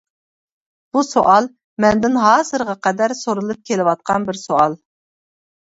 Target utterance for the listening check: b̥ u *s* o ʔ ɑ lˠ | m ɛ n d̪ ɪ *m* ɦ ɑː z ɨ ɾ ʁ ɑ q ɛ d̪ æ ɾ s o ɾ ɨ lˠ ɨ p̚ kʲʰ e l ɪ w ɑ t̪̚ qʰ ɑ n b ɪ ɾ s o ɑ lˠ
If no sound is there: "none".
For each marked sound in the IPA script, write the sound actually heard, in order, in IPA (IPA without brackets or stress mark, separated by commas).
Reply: s, n